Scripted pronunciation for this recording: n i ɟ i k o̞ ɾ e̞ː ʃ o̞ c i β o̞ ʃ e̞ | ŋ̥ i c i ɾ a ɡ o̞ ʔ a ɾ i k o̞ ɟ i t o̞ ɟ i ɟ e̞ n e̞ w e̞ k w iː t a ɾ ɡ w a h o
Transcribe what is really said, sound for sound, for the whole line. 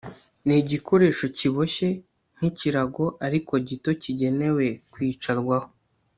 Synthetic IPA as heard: n i ɟ i k o̞ ɾ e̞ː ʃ o̞ c i β o̞ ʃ e̞ | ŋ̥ i c i ɾ a ɡ o̞ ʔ a ɾ i k o̞ ɟ i t o̞ c i ɟ e̞ n e̞ w e̞ k w iː t͡ʃ a ɾ ɡ w a h o